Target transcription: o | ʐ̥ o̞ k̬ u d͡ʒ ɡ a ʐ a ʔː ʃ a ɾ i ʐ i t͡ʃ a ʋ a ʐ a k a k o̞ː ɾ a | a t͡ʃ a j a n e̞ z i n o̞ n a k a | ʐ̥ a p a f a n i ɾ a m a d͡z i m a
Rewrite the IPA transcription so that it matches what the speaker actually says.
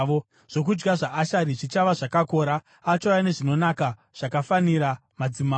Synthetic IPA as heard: o | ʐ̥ o̞ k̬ u d͡ʒ ɡ a ʐ a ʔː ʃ a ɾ i ʐ i t͡ʃ a ʋ a ʐ a k a k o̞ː ɾ a | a t͡ʃ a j a n e̞ ʐ i n o̞ n a k a | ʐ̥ a k a f a n i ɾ a m a d͡z i m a